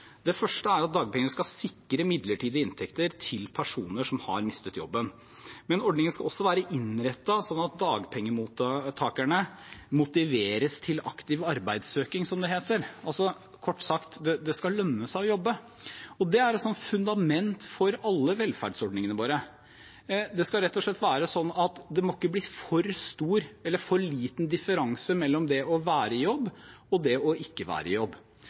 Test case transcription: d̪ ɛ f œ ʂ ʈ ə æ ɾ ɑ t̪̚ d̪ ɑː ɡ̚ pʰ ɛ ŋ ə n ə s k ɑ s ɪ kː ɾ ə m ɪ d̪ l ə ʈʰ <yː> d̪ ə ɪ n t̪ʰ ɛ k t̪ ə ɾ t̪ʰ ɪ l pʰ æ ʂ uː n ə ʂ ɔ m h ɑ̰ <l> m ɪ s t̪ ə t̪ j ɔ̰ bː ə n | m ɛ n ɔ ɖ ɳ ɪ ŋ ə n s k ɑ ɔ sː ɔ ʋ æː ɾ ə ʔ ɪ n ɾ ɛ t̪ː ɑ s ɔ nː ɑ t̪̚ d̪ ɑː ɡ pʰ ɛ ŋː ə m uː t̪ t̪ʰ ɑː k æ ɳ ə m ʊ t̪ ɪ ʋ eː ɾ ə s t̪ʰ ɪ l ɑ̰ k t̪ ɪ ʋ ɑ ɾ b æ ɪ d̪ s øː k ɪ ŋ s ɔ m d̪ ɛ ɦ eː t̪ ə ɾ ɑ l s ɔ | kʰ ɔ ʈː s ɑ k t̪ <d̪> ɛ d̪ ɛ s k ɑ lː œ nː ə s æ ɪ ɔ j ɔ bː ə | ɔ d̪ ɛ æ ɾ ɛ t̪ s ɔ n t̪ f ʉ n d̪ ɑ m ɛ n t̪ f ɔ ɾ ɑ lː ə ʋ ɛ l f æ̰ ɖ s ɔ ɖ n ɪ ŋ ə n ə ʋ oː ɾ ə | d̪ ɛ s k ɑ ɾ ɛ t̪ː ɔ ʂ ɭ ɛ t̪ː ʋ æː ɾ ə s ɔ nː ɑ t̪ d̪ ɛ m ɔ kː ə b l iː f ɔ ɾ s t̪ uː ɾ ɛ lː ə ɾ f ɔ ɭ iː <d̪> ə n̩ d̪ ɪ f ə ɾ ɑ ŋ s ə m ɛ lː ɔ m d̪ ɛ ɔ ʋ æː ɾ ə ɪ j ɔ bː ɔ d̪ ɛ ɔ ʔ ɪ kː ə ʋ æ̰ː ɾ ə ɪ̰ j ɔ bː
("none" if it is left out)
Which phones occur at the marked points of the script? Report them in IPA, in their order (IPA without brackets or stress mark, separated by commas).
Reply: iː, ɾ, d̪, t̪